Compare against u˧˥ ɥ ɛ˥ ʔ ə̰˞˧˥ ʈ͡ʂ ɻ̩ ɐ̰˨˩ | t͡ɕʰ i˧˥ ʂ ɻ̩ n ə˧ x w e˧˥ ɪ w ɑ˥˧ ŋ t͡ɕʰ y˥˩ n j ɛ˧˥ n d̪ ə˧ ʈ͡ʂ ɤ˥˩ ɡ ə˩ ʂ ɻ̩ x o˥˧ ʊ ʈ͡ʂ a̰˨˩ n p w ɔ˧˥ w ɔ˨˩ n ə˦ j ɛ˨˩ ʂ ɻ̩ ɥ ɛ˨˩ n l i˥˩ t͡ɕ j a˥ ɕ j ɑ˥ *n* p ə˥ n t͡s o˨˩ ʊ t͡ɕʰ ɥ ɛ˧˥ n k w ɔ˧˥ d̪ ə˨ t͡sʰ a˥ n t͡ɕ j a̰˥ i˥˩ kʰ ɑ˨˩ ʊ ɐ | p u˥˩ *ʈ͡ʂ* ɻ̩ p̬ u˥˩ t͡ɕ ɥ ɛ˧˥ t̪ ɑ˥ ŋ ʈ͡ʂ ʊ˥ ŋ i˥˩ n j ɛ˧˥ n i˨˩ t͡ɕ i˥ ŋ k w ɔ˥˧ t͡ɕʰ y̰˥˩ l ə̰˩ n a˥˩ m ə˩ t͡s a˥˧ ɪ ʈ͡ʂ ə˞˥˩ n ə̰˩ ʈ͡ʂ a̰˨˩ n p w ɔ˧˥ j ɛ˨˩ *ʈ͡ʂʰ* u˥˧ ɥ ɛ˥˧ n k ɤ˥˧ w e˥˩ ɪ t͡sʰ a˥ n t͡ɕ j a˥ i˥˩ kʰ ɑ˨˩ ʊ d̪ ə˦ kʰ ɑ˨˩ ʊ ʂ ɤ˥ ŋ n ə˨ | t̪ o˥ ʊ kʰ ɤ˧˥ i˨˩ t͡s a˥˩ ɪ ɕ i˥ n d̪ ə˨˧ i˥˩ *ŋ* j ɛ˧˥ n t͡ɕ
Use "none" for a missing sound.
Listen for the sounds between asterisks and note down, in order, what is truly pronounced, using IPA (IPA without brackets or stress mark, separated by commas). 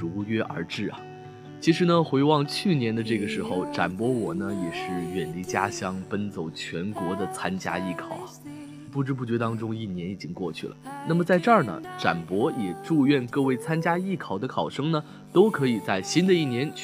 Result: ŋ, ʈ͡ʂ, ʈ͡ʂ, n